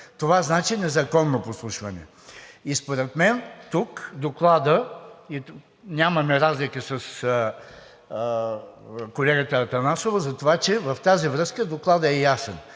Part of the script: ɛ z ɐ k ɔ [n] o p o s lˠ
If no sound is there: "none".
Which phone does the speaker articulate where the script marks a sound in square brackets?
nː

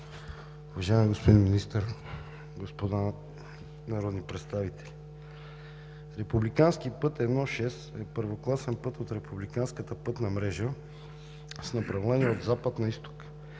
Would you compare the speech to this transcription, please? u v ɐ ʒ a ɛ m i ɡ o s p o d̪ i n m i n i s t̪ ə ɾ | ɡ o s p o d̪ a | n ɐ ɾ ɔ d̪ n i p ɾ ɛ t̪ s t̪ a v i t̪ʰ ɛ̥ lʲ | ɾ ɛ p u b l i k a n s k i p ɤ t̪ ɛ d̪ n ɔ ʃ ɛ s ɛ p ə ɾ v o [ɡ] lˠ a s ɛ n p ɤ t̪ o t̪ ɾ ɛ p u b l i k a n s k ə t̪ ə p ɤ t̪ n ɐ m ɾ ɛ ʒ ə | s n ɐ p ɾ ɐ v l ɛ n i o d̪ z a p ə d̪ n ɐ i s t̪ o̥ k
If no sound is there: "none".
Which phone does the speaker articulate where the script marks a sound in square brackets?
k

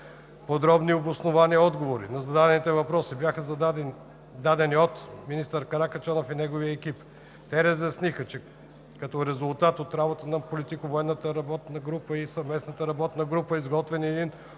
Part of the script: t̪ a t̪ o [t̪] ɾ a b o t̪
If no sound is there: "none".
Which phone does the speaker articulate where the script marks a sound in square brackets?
t̪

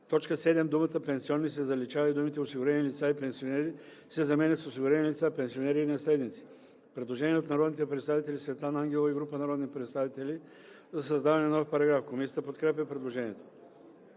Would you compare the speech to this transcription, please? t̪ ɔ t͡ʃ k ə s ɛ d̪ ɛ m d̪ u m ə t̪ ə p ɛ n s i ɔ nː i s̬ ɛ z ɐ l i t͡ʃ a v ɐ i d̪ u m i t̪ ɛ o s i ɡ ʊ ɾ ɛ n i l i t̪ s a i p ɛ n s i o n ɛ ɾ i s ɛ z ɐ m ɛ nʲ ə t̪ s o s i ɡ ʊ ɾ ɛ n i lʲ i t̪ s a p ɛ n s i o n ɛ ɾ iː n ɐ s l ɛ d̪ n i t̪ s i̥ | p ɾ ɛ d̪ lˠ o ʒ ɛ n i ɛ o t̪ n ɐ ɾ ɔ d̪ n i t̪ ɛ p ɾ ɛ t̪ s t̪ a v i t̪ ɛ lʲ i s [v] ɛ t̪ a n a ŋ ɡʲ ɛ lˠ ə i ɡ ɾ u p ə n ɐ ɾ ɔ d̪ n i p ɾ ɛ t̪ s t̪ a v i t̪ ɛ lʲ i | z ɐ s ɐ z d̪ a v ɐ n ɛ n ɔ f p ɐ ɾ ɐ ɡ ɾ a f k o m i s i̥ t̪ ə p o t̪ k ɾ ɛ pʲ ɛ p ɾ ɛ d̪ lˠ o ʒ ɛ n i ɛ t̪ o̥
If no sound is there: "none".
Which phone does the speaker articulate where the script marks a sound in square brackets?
v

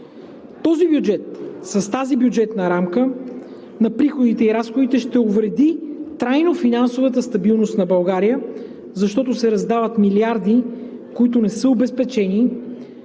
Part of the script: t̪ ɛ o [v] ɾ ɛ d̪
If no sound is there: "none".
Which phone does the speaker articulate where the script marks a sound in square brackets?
v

